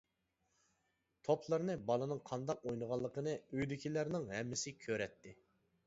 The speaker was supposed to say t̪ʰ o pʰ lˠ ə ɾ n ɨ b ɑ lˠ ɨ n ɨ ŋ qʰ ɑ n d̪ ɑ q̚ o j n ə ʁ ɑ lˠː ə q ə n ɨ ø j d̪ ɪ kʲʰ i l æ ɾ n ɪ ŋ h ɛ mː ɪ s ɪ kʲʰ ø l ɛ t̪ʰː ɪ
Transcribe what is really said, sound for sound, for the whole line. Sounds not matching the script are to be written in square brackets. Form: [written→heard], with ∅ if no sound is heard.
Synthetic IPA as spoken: t̪ʰ o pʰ lˠ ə ɾ n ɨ b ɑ lˠ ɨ n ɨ ŋ qʰ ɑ n d̪ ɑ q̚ o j n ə ʁ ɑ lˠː ə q ə n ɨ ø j d̪ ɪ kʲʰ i l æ ɾ n ɪ ŋ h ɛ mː ɪ s ɪ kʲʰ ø [l→ɾ] ɛ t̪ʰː ɪ

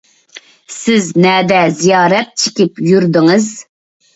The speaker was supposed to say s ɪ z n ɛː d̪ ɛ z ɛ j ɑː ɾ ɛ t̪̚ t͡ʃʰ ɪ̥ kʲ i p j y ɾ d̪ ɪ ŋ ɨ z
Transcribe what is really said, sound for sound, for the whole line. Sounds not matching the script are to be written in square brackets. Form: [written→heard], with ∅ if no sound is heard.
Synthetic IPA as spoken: s ɪ z n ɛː d̪ ɛ z [ɛ→i] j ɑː ɾ ɛ t̪̚ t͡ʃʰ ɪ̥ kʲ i p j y ɾ d̪ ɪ ŋ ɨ z

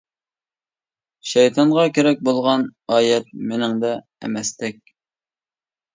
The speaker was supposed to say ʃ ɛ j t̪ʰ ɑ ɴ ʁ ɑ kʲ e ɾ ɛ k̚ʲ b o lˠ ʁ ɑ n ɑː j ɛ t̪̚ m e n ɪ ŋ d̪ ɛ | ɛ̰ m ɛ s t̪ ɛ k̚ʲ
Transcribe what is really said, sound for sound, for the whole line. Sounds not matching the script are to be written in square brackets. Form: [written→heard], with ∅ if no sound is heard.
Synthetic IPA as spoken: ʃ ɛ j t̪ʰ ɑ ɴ ʁ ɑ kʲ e ɾ ɛ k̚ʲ b o lˠ ʁ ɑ n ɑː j ɛ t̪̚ m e n ɪ ŋ d̪ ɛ | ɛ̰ m ɛ s t̪ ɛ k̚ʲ

